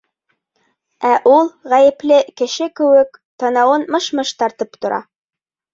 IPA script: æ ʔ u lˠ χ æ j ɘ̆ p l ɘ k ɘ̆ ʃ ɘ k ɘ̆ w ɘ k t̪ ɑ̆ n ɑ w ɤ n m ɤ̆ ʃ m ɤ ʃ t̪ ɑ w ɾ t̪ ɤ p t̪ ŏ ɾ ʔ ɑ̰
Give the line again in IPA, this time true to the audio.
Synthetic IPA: æ ʔ u lˠ ʁ æ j ɘ̆ p l ɘ k ɘ̆ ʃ ɘ k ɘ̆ w ɘ k t̪ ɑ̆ n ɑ w ɤ n m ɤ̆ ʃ m ɤ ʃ t̪ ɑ ɾ t̪ ɤ p t̪ ŏ ɾ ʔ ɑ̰